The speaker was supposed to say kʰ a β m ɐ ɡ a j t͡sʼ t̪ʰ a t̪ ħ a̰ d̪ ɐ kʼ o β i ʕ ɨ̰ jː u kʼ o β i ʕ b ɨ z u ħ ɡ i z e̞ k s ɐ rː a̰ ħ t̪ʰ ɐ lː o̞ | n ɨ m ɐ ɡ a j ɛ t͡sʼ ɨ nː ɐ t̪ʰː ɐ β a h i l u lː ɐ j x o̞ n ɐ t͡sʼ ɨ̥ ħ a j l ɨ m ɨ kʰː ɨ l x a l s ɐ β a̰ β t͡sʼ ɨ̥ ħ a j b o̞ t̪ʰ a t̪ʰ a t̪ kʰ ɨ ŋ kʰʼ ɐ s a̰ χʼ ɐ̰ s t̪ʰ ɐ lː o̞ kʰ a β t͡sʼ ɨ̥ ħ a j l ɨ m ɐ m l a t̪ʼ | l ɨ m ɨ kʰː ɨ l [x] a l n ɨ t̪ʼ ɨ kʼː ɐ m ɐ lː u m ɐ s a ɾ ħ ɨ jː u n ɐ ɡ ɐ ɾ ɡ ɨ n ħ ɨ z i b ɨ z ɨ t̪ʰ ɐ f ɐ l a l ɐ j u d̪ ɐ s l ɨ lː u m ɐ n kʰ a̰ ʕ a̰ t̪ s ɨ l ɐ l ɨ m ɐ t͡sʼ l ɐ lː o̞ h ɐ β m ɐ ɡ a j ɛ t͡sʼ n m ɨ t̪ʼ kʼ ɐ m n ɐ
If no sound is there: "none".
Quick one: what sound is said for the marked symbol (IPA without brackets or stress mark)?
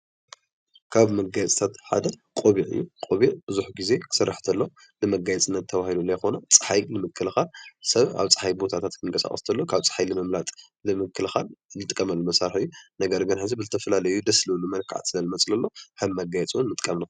x